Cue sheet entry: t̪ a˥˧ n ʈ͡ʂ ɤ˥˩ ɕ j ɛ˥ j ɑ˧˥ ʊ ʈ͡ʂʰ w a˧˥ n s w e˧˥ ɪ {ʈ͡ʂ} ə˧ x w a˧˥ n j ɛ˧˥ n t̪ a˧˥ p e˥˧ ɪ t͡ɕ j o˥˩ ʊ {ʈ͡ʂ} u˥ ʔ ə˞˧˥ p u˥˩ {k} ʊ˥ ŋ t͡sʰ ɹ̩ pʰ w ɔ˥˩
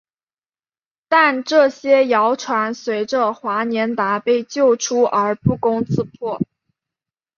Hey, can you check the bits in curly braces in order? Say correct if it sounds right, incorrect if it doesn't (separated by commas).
correct, incorrect, correct